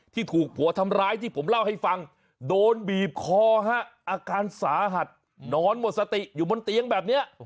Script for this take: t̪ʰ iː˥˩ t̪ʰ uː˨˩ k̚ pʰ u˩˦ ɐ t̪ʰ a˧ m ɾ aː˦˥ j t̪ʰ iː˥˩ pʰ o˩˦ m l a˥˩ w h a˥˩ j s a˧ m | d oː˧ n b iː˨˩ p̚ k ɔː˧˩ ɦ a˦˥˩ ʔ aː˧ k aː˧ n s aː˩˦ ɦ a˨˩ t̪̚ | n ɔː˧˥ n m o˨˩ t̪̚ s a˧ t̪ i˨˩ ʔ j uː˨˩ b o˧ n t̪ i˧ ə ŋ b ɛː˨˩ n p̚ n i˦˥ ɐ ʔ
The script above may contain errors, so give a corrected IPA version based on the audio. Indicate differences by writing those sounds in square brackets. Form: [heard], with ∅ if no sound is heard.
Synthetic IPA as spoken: t̪ʰ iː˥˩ t̪ʰ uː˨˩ k̚ pʰ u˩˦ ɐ t̪ʰ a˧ m ɾ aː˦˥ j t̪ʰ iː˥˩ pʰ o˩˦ m l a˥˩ w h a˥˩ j [f] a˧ [ŋ] | d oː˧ n b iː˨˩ p̚ [kʰ] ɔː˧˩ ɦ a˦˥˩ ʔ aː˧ k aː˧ n s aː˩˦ ɦ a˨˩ t̪̚ | n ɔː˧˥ n m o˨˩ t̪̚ s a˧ t̪ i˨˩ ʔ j uː˨˩ b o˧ n t̪ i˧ ə ŋ b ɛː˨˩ [∅] p̚ n i˦˥ ɐ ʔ